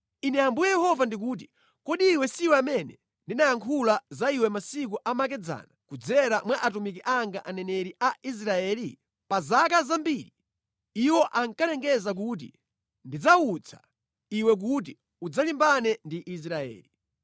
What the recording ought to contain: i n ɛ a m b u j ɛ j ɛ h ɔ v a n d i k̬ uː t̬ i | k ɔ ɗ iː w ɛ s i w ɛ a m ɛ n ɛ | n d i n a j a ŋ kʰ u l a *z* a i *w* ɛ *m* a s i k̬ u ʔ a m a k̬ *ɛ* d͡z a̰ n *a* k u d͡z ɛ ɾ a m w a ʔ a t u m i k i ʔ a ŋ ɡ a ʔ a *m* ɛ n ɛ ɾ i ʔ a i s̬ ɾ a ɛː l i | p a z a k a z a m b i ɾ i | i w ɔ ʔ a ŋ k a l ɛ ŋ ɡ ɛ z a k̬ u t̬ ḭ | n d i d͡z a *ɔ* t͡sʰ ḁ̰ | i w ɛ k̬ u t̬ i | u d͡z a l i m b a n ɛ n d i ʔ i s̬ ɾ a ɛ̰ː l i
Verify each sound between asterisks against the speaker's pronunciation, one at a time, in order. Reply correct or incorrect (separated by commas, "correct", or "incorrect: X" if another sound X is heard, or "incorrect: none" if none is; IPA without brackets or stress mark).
correct, correct, correct, correct, correct, incorrect: n, incorrect: u